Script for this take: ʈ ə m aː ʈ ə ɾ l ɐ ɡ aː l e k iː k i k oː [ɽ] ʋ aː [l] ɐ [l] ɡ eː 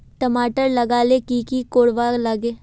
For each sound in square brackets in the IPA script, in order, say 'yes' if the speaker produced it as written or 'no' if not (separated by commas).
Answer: yes, yes, no